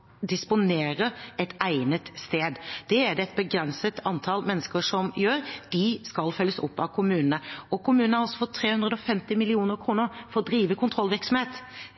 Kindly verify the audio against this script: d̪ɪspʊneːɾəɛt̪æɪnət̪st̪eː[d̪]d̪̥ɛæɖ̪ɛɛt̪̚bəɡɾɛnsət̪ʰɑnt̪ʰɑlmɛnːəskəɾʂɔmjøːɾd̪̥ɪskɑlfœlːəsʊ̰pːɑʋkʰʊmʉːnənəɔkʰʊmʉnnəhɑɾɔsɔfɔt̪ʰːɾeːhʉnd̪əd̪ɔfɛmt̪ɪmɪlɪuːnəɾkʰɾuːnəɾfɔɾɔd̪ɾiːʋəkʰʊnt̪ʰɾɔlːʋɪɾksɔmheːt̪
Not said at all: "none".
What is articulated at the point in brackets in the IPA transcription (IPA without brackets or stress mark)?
d̪